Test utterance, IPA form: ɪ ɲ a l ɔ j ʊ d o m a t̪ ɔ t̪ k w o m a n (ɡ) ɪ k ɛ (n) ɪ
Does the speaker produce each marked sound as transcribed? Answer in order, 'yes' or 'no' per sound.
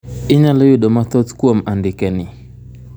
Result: no, yes

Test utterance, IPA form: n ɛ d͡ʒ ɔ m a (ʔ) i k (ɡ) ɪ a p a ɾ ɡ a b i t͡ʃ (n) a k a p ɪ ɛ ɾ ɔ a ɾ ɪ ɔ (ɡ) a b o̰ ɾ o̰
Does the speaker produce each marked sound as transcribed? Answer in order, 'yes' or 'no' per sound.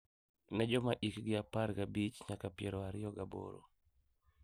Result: yes, yes, no, yes

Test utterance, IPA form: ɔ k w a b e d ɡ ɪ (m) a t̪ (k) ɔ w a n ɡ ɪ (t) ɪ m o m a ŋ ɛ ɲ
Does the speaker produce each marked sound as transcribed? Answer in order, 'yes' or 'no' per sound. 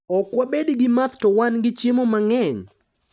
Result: yes, no, no

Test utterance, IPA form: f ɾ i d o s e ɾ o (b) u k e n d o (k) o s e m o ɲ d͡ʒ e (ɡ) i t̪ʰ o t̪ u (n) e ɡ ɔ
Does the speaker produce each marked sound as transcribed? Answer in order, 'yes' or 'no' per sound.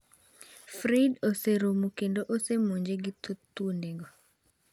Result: no, no, yes, yes

